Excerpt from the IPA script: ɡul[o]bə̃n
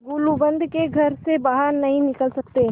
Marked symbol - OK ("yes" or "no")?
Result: no